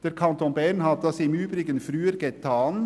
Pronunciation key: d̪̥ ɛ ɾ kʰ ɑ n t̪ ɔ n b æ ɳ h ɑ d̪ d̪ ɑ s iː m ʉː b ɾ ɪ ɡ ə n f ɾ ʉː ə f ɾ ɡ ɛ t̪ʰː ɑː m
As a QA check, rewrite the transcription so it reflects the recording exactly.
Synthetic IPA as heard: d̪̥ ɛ ɾ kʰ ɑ n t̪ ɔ n b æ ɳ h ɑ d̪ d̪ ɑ s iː m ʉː b ɾ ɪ ɡ ə n f ɾ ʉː ə ɾ ɡ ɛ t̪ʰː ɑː n